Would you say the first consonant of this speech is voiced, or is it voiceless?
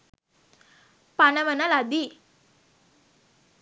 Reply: voiceless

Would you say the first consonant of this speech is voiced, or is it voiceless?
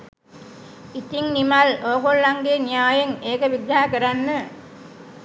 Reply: voiceless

